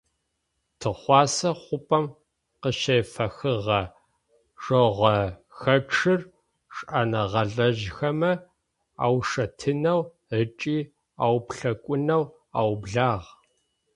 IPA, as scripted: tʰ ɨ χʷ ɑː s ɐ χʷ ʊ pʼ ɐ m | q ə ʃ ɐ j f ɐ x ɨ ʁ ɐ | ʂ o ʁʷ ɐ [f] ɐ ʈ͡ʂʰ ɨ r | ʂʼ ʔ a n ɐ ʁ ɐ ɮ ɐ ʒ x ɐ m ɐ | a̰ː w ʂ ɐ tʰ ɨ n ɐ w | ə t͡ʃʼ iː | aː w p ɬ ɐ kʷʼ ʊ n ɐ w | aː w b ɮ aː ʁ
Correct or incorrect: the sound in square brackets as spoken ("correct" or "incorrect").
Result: incorrect